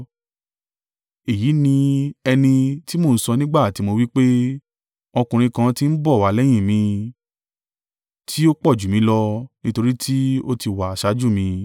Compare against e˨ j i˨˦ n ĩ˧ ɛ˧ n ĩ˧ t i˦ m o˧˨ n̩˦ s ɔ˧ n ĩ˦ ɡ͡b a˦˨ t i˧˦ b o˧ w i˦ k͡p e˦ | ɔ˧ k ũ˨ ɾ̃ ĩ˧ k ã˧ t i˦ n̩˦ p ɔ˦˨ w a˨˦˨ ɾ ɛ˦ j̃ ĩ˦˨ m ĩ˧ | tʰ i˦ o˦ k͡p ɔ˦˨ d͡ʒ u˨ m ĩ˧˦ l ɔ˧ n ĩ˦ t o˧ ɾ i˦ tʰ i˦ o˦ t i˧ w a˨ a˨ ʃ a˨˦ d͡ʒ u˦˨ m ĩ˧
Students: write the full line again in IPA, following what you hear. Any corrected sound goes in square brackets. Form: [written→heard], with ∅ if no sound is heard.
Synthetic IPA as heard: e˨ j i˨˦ n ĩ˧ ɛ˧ n ĩ˧ t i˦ m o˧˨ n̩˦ s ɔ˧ n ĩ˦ ɡ͡b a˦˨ t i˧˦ [b→m] o˧ w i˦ k͡p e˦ | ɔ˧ k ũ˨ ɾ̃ ĩ˧ k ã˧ t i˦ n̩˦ [p→b] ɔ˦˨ w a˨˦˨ [ɾ→l] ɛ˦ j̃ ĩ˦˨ m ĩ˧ | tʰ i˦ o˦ k͡p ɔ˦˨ d͡ʒ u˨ m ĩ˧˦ l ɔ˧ n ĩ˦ t o˧ ɾ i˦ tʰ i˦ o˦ t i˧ w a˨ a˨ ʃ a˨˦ d͡ʒ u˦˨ m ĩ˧